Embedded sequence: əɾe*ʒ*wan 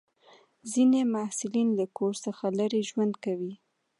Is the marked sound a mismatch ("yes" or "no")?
no